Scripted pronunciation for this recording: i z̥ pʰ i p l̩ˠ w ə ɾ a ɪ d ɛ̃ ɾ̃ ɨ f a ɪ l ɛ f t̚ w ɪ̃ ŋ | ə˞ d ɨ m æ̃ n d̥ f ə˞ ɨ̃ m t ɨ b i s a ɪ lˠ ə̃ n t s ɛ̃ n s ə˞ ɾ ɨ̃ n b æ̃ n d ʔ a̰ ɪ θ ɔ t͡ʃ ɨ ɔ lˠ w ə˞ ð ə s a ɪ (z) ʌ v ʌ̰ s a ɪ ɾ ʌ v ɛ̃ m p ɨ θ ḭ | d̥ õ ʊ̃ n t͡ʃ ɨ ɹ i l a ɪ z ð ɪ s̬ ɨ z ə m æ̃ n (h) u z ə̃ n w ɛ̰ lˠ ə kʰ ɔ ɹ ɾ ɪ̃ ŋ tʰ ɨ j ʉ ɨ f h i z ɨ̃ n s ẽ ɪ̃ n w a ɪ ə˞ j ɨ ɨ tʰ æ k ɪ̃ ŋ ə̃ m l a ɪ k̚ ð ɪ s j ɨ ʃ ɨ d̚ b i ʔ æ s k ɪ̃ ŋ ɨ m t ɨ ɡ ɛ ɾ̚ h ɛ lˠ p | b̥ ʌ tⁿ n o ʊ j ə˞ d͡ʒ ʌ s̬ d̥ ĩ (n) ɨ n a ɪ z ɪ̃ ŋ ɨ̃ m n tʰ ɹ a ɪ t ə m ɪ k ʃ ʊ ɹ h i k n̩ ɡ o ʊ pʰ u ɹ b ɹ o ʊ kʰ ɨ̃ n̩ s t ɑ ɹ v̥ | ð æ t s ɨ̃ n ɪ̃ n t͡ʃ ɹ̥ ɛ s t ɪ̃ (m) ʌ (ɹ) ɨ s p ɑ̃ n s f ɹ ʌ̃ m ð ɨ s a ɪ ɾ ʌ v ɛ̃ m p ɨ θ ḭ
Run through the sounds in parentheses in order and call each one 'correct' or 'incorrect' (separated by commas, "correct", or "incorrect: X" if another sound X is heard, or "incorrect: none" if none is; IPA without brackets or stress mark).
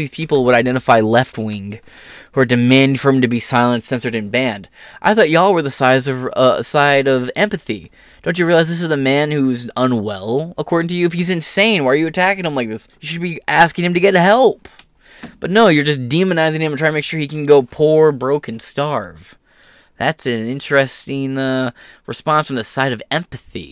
correct, correct, incorrect: m, incorrect: ŋ, correct